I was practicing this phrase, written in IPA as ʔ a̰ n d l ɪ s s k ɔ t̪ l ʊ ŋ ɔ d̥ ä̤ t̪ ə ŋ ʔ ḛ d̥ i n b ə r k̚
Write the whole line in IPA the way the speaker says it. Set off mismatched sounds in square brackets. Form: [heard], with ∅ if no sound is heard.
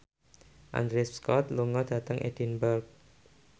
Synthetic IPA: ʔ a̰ n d [ɾ] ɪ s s k ɔ t̪ l [u] ŋ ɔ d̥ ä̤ t̪ ə ŋ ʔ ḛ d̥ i n b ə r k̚